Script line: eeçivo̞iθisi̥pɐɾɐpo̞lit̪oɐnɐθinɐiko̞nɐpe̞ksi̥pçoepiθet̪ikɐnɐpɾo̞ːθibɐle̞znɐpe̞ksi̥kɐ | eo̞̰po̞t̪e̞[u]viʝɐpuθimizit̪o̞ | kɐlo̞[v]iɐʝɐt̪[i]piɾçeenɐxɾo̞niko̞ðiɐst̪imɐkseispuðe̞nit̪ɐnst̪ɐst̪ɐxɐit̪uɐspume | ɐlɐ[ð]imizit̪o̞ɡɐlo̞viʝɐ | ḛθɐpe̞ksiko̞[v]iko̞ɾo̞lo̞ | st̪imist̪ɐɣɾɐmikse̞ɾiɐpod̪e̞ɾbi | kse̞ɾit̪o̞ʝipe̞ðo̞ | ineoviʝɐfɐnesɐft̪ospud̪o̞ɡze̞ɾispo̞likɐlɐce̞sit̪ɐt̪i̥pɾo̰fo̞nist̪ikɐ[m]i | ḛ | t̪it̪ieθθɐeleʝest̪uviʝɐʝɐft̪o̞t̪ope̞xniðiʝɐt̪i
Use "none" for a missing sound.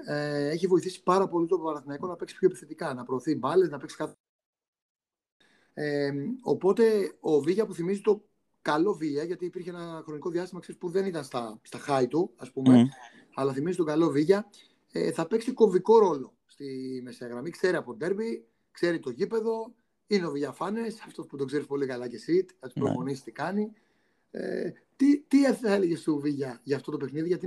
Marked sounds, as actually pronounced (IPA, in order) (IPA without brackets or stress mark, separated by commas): o, v, iː, θ, v, n